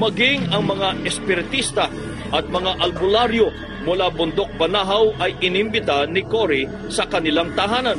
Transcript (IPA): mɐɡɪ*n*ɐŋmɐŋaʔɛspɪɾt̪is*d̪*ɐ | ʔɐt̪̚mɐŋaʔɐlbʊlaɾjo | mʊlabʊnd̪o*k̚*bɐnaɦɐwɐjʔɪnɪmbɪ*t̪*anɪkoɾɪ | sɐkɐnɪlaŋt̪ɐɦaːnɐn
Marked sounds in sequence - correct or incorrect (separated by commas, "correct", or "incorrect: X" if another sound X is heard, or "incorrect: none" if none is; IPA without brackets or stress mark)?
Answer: incorrect: ŋ, incorrect: t̪, correct, correct